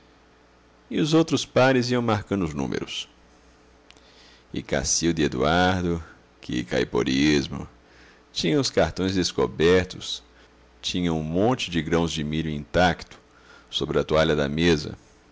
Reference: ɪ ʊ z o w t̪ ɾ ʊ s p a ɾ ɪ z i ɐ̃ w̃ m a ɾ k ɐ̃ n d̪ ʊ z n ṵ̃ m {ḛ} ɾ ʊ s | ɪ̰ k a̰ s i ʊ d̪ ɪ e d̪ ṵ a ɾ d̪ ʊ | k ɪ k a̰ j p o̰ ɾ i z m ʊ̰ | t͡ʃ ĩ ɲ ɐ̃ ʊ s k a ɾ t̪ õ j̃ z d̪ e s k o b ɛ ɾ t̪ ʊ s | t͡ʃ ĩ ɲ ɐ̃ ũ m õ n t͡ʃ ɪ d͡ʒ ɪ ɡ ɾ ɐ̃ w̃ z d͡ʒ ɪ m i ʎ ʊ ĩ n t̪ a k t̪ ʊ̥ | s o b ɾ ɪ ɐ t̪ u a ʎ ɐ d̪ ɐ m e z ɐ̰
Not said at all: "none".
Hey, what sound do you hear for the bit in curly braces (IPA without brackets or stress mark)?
ḛ